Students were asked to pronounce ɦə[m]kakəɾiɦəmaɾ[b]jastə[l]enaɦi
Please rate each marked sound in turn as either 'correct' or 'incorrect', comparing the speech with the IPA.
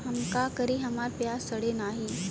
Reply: correct, incorrect: p, incorrect: ɽ

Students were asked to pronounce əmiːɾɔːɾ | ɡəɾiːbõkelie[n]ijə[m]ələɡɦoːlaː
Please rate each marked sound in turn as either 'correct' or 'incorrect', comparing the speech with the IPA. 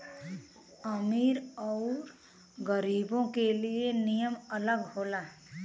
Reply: correct, correct

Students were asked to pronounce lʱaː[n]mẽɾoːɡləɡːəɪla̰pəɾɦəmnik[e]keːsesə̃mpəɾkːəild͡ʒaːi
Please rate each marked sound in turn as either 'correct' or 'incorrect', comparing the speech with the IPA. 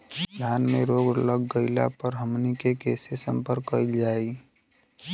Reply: correct, correct

